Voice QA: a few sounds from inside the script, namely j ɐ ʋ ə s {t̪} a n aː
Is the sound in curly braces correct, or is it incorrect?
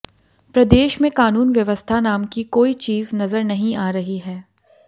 incorrect